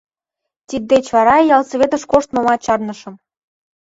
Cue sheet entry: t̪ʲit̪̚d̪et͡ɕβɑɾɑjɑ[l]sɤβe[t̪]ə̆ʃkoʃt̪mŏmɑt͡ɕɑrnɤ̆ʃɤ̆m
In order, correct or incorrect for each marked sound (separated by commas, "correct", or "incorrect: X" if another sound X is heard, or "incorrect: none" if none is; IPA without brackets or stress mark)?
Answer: correct, correct